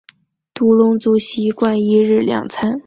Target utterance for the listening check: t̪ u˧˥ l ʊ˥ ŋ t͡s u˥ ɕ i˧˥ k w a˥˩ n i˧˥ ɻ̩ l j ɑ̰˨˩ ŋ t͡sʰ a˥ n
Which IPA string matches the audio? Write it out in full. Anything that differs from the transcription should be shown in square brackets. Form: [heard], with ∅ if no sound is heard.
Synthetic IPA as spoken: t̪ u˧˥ l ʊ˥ ŋ t͡s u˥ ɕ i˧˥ k w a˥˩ n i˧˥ ɻ̩ l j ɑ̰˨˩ ŋ t͡sʰ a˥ n